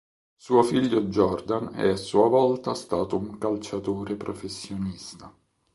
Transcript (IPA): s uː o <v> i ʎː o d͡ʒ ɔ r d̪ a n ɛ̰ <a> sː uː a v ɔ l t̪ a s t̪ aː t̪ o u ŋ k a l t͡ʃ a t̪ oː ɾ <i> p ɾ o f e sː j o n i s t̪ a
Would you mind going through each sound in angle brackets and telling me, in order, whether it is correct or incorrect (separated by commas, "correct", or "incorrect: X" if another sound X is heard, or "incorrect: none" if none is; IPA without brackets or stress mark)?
incorrect: f, correct, incorrect: e